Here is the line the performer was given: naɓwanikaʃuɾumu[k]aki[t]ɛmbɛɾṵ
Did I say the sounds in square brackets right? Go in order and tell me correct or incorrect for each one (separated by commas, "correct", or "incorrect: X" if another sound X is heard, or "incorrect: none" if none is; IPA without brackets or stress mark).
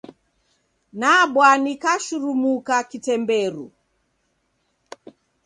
correct, correct